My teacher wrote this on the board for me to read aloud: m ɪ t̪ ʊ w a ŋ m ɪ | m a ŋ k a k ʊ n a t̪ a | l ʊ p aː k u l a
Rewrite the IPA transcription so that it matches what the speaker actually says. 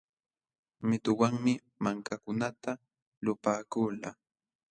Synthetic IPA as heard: m ɪ t̪ ʊ w a ŋ m ɪ | m a ŋ k a k ʊ n a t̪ a | l ʊ p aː k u l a